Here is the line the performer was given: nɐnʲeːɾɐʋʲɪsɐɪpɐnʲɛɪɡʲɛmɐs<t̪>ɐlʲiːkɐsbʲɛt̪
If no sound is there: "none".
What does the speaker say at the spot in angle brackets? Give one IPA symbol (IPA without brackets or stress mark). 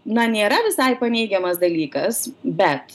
d̪